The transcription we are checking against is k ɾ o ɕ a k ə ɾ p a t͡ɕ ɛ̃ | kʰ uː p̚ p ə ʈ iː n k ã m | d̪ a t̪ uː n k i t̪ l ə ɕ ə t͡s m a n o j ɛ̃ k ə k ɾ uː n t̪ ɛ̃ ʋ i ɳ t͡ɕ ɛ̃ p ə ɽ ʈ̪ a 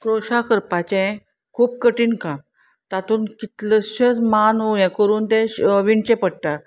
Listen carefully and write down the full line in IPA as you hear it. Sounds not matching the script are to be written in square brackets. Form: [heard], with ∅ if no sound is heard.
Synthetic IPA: k ɾ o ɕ a k ə ɾ p a t͡ɕ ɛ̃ | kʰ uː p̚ [k] ə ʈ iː n k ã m | [t̪] a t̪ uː n k i t̪ l ə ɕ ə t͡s m a n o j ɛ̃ k ə [∅] ɾ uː n t̪ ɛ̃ ʋ i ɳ t͡ɕ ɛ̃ p ə ɽ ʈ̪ a

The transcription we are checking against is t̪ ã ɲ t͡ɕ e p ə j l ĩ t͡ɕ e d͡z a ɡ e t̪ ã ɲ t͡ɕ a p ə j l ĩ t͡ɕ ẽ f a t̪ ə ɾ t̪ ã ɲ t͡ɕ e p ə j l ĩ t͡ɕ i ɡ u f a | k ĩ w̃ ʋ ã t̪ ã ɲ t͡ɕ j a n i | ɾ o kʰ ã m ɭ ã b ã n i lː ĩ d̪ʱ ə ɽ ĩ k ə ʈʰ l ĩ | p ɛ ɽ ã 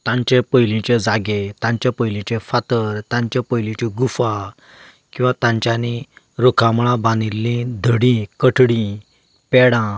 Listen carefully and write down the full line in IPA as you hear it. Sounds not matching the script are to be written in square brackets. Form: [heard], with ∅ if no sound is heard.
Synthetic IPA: t̪ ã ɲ t͡ɕ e p ə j l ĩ t͡ɕ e d͡z a ɡ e t̪ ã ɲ t͡ɕ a p ə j l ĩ t͡ɕ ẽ f a t̪ ə ɾ t̪ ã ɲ t͡ɕ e p ə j l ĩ t͡ɕ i ɡ u f a | k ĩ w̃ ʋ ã t̪ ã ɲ t͡ɕ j a n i | ɾ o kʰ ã m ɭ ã b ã n i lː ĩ d̪ʱ ə ɽ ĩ k ə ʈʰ [ɽ] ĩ | p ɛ ɽ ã

